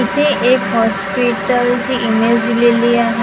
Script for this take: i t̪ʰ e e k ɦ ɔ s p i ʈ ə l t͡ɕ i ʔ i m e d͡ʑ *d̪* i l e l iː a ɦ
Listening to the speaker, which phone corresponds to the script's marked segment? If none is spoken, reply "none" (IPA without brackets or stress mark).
d̪